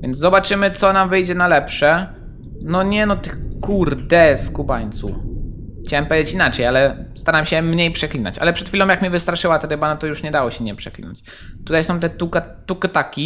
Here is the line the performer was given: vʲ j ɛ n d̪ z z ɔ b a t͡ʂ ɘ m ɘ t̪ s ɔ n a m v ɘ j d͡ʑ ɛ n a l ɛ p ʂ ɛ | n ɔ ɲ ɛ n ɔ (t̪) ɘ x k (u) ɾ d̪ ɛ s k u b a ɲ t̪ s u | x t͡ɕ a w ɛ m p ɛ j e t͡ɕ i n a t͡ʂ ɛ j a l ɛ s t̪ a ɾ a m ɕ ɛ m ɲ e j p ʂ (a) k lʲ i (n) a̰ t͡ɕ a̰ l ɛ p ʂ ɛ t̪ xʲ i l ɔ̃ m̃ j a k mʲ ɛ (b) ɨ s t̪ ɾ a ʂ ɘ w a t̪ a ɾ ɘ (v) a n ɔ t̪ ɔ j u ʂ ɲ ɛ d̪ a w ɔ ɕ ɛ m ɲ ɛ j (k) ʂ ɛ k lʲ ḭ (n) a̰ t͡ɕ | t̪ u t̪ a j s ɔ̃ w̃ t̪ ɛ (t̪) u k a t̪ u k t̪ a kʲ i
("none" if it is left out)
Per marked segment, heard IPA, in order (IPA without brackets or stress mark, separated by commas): t̪, u, ɛ, n, v, b, p, n, t̪